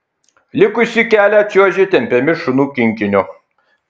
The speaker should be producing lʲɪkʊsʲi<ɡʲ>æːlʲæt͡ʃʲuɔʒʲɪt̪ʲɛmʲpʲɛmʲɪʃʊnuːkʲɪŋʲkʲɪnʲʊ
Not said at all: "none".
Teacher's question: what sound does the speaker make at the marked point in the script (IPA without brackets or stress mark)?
kʲ